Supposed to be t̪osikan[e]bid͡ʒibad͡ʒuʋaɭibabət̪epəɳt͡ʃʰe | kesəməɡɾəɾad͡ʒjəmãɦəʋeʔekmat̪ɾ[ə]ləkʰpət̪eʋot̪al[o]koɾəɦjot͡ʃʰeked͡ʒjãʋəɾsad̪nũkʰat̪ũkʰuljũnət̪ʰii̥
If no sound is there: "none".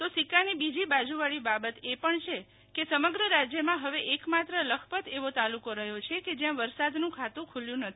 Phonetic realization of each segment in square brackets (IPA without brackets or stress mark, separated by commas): i, ə, u